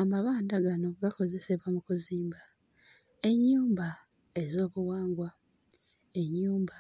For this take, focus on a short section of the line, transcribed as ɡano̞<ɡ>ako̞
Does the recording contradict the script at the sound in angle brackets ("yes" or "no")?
no